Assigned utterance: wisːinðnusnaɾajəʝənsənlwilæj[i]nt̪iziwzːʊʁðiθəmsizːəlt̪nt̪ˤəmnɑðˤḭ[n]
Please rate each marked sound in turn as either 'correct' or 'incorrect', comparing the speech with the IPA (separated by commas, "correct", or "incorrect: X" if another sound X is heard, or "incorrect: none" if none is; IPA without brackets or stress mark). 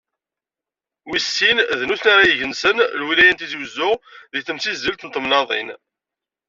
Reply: incorrect: æ, correct